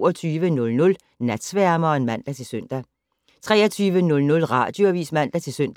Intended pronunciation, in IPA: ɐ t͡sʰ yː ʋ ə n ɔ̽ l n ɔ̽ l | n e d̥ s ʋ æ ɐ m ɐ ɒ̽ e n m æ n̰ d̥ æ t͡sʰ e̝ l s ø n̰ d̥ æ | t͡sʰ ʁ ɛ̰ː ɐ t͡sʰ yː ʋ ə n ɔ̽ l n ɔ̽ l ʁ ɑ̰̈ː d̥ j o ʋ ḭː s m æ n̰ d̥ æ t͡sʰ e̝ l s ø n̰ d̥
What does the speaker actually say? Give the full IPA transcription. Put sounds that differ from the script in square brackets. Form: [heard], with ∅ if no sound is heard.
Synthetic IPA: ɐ t͡sʰ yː ʋ ə n ɔ̽ l n ɔ̽ l | n [æ] d̥ s ʋ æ ɐ m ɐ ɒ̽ e n m æ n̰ d̥ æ t͡sʰ e̝ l s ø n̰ d̥ æ | t͡sʰ ʁ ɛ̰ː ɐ t͡sʰ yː ʋ ə n ɔ̽ l n ɔ̽ l ʁ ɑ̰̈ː d̥ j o ʋ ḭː s m æ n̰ d̥ æ t͡sʰ e̝ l s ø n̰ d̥